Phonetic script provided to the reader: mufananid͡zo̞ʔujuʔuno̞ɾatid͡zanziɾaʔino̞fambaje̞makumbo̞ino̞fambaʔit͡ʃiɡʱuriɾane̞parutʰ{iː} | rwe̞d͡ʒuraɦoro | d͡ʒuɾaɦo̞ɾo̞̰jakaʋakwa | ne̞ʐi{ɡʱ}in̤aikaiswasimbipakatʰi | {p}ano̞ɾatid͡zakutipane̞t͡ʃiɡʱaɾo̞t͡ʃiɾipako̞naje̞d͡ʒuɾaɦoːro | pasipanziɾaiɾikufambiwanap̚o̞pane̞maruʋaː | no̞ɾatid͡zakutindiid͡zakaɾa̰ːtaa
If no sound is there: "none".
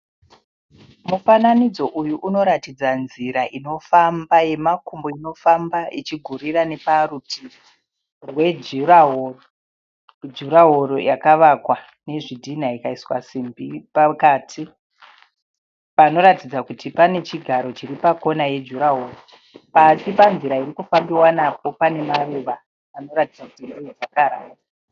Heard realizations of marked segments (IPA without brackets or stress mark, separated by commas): i, dʱ, p